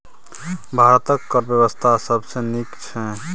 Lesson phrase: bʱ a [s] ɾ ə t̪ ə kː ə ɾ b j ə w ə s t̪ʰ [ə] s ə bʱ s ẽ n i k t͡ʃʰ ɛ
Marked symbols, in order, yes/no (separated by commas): no, no